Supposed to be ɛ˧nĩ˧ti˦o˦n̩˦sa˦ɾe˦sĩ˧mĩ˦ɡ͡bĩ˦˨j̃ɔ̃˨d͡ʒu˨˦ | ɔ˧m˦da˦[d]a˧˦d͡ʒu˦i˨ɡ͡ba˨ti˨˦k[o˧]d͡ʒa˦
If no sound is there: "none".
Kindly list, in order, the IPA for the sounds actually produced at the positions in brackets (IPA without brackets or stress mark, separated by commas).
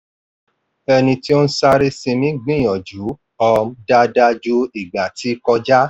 d, ɔ˧